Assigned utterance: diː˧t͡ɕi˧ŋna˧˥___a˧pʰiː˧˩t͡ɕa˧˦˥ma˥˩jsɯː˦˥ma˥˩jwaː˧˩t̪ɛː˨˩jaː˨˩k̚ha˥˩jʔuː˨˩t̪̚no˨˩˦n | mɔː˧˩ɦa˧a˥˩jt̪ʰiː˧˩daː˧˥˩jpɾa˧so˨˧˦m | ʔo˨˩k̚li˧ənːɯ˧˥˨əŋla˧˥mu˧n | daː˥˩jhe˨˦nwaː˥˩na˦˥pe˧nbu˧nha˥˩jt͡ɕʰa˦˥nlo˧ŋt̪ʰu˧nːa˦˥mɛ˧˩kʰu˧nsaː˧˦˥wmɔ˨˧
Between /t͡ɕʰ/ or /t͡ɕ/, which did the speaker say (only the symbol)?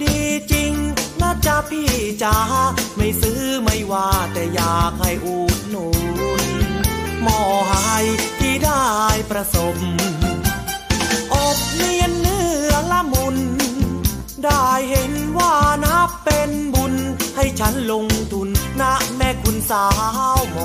t͡ɕ